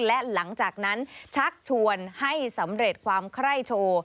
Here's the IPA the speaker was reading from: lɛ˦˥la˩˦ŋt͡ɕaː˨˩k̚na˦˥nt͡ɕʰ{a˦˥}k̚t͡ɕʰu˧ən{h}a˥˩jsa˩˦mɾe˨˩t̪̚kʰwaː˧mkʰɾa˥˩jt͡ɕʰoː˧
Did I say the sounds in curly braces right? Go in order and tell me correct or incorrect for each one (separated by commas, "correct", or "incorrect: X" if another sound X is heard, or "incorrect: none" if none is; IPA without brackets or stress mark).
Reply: correct, correct